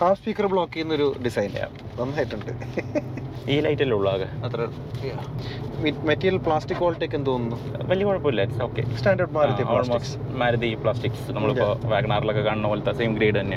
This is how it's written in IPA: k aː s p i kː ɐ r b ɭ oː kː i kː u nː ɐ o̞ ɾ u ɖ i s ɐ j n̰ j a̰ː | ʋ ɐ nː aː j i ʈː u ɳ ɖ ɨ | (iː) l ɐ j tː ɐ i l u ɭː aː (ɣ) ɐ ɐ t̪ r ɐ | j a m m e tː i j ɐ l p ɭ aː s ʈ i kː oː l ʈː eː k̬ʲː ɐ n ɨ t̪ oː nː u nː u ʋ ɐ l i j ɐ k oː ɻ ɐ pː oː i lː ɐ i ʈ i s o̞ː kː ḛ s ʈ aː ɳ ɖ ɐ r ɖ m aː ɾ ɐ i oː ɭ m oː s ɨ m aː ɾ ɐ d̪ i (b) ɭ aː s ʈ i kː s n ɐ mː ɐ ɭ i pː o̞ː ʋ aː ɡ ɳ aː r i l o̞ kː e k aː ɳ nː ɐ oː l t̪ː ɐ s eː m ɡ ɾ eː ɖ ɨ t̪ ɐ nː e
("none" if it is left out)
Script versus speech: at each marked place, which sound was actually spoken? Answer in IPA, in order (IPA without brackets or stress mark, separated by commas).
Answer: iː, ɣ, p